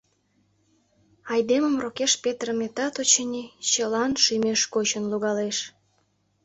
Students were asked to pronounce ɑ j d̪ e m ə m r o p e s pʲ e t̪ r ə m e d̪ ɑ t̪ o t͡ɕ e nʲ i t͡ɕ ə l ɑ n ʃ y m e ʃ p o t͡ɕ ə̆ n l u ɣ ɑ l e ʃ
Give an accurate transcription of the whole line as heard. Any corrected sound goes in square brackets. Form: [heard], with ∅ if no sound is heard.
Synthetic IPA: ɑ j d̪ e m ə m r o [k] e [ʃ] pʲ e t̪ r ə m e [t̪] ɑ t̪ o t͡ɕ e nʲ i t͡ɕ ə l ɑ n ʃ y m e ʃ [k] o t͡ɕ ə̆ n l u ɣ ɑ l e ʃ